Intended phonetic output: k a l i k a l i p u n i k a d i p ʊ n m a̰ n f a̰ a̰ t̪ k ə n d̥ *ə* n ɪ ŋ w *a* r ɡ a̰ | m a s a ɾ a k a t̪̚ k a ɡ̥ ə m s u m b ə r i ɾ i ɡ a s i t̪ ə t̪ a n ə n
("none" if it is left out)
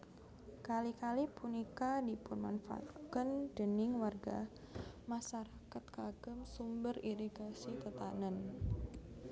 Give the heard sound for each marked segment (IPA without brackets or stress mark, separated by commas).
ə, a